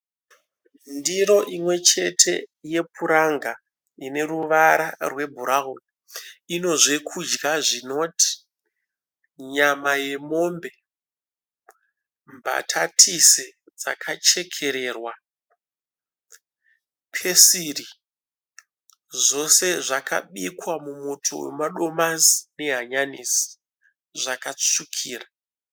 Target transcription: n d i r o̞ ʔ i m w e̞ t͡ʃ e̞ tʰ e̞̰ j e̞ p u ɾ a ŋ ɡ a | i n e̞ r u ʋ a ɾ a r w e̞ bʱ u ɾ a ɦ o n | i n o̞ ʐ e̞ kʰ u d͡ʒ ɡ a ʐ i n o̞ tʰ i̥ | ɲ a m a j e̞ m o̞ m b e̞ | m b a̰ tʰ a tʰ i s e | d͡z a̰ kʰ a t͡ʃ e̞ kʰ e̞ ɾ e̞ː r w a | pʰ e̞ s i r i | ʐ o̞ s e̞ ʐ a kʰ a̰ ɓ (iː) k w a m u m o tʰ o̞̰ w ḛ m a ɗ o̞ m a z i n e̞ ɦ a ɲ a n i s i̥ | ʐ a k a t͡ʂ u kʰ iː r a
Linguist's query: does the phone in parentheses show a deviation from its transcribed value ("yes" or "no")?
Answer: yes